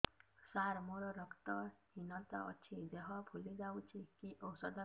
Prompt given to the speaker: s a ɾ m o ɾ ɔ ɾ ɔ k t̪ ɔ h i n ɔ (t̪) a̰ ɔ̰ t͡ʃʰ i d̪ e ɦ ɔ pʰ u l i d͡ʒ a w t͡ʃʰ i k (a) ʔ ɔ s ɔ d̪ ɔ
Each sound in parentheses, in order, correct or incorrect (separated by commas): correct, incorrect